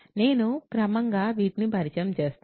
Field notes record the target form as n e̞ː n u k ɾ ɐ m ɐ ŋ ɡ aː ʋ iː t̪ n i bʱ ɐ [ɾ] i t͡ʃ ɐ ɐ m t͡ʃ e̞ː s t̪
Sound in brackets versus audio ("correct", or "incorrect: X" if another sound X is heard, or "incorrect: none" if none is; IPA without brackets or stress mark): correct